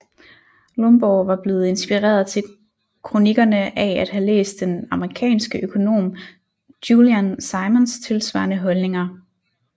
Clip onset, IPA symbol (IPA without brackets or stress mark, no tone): l